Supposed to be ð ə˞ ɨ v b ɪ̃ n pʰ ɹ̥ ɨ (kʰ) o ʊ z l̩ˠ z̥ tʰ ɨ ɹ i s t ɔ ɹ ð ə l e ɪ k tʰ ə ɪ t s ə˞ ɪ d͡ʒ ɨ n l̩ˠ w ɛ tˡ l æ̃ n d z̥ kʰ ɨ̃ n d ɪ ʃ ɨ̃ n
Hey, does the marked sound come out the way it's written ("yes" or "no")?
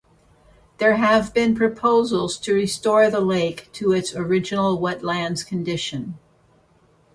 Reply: no